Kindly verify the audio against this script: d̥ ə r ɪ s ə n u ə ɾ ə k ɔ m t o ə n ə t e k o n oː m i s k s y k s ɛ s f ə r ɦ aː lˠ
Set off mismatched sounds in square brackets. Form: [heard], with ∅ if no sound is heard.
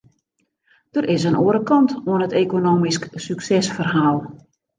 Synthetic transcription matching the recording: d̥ ə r ɪ s ə n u ə ɾ ə k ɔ [n] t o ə n ə t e k o n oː m i s k s y k s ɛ s f ə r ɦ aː lˠ